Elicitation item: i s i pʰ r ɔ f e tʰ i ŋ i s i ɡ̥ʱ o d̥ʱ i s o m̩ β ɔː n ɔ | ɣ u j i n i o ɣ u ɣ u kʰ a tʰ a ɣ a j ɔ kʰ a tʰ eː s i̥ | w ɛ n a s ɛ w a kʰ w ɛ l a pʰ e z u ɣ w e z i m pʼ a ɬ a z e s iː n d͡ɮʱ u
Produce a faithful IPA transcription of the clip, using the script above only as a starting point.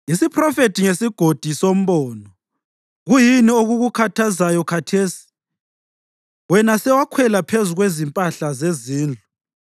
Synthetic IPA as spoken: i s i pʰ r ɔ f e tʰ i ŋ e s i ɡ̥ʱ o d̥ʱ i s o m̩ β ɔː n ɔ | ɣ u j i n i o ɣ u ɣ u kʰ a tʰ a z a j ɔ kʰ a tʰ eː s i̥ | w ɛ n a s ɛ w a kʰ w ɛ l a pʰ e z u ɣ w e z i m pʼ a ɬ a z e z iː n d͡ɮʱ u